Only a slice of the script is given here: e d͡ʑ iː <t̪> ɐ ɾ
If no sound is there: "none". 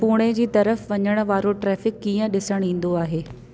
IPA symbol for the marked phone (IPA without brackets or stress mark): t̪